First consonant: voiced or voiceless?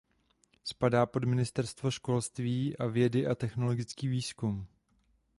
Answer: voiceless